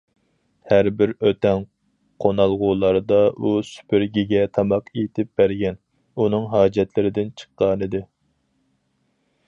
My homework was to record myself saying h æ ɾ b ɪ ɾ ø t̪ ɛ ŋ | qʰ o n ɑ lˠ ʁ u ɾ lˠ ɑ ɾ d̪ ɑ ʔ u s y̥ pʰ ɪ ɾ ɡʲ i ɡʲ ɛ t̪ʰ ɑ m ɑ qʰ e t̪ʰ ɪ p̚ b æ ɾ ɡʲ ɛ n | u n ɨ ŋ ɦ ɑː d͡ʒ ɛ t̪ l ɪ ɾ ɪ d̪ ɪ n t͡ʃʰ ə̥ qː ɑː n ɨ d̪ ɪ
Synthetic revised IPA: h æ ɾ b ɪ ɾ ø t̪ ɛ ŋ | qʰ o n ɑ lˠ ʁ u lˠ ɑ ɾ d̪ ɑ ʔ u s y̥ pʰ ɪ ɾ ɡʲ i ɡʲ ɛ t̪ʰ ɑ m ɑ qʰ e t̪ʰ ɪ p̚ b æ ɾ ɡʲ ɛ n | u n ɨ ŋ ɦ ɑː d͡ʒ ɛ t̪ l ɪ ɾ ɪ d̪ ɪ n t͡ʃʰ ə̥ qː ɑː n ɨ d̪ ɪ